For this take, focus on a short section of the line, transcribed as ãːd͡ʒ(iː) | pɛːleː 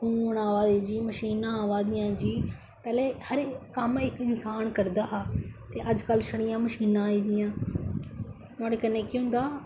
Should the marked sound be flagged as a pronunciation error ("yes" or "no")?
no